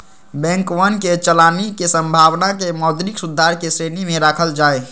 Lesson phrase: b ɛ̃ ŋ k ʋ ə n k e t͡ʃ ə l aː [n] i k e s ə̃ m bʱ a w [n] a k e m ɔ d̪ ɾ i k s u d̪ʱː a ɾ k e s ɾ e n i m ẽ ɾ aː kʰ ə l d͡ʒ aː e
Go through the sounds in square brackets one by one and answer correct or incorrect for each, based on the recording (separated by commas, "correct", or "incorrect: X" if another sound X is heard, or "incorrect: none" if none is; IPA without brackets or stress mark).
correct, correct